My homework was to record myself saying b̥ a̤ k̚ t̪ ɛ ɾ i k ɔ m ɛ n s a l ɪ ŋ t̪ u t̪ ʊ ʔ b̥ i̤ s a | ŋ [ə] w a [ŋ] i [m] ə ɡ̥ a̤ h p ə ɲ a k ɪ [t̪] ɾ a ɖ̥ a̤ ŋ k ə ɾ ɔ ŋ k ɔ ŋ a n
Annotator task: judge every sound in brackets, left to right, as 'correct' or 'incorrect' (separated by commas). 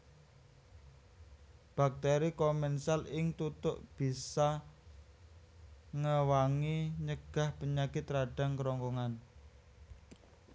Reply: correct, correct, incorrect, correct